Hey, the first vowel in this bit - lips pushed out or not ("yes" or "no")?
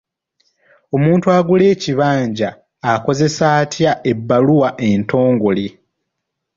yes